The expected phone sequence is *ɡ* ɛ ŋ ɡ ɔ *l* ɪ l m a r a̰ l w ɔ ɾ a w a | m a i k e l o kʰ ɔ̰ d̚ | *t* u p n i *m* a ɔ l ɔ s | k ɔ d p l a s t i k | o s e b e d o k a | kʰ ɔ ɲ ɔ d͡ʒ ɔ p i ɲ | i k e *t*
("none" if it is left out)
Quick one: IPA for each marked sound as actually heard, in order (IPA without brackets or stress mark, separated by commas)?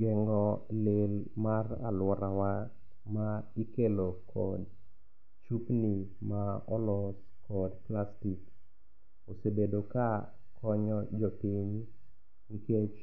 ɡ, l, t͡ʃ, m, t͡ʃ